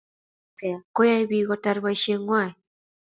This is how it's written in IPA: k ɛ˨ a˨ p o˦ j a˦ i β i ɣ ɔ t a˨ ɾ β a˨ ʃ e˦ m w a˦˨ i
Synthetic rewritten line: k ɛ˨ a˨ k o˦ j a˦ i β i ɣ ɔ t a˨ ɾ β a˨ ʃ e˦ ŋ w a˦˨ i